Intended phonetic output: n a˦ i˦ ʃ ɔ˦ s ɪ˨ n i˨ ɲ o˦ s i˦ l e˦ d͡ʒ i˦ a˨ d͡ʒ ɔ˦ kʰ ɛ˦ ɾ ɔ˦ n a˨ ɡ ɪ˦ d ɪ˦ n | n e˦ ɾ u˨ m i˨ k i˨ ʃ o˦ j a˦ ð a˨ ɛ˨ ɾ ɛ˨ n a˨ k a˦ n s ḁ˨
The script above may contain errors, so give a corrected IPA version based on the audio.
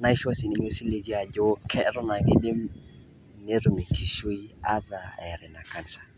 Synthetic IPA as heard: n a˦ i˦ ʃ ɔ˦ s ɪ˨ n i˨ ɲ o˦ s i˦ l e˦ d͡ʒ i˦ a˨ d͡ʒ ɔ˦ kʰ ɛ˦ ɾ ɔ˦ n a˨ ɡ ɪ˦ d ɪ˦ m | n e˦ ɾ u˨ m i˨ k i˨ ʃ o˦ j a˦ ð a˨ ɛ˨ ɾ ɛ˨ n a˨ k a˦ n s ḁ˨